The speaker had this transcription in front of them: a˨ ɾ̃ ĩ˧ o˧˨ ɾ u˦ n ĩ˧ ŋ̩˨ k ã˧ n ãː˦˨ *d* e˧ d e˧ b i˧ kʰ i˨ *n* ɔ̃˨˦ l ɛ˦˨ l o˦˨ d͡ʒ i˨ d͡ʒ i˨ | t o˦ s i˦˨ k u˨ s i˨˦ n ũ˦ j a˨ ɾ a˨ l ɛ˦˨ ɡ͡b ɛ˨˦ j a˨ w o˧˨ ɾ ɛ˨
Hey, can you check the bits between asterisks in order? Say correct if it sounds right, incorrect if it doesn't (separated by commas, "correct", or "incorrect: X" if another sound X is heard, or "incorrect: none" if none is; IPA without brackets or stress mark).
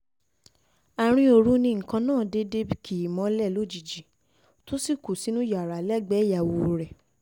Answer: correct, incorrect: m